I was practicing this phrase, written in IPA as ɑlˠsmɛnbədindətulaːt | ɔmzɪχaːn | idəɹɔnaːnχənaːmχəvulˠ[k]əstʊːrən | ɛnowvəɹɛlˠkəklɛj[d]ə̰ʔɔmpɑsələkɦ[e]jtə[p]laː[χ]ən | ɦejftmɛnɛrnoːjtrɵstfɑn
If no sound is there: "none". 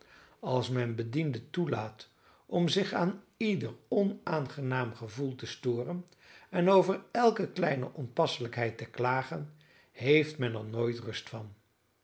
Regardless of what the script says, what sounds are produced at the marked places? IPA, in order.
t, n, ɛ, k, χ

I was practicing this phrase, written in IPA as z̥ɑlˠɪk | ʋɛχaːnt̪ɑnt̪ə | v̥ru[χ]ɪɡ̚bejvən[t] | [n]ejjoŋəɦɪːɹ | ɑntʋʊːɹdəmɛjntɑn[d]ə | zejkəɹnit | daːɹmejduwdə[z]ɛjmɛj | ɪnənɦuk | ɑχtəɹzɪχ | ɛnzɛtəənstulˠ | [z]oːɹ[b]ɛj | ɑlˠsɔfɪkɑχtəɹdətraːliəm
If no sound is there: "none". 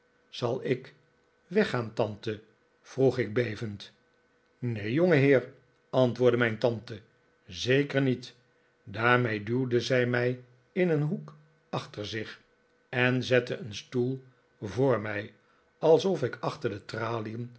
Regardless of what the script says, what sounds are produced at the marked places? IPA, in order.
χ, t, n, t, z, v, m

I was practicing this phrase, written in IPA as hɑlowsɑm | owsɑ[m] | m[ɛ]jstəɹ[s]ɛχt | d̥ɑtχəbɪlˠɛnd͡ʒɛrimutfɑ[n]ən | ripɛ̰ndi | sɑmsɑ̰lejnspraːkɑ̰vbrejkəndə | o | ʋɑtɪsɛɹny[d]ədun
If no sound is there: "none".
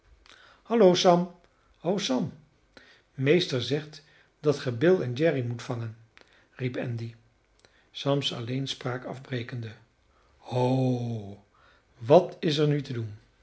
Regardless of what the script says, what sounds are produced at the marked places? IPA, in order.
m, e, z, ŋ, t

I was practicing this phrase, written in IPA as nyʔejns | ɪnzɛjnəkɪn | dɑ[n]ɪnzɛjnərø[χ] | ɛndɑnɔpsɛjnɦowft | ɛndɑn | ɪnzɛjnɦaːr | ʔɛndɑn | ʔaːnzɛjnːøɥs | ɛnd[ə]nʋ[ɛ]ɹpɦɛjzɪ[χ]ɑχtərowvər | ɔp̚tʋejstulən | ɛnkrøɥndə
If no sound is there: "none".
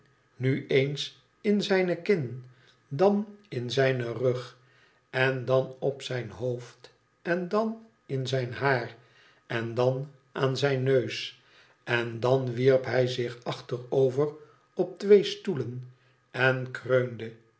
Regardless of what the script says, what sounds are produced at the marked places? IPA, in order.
n, χ, ɑ, i, χ

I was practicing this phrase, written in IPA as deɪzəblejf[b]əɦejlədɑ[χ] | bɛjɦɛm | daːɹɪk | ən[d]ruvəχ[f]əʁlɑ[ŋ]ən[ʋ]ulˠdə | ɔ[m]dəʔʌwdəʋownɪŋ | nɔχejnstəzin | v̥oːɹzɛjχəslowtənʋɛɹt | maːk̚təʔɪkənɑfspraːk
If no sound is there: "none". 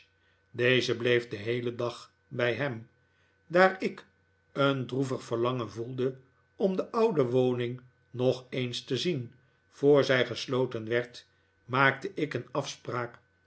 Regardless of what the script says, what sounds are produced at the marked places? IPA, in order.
d, χ, d, f, ŋ, v, m

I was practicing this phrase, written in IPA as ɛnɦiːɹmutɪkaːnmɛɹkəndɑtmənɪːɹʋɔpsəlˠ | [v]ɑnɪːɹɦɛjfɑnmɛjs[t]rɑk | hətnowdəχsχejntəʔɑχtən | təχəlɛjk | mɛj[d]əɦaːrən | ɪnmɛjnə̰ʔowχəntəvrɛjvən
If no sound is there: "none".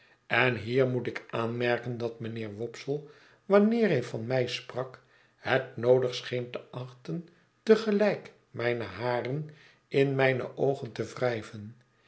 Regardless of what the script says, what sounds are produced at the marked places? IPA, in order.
ʋ, p, n

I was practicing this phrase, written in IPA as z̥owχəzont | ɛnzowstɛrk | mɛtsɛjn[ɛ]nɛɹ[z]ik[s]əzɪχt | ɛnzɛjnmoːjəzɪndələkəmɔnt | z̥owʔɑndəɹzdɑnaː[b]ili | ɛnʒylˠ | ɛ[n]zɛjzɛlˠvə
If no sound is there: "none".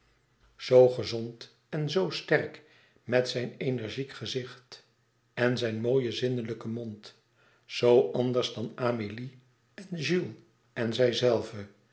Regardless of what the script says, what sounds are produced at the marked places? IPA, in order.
e, ʒ, χ, m, n

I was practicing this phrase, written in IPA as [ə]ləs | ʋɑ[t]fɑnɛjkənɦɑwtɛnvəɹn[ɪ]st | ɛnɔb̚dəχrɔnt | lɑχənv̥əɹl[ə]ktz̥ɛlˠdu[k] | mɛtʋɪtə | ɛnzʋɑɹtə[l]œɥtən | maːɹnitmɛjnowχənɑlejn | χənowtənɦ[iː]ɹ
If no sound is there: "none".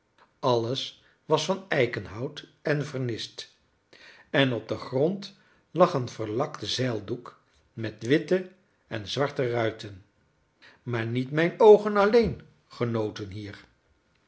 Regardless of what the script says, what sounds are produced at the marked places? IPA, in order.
ɑ, s, ɪ, ɑ, k, r, iː

